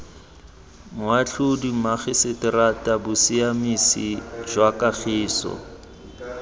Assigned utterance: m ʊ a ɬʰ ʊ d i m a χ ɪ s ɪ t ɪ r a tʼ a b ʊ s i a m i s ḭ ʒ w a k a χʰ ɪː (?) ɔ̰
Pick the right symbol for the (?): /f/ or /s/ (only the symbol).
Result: s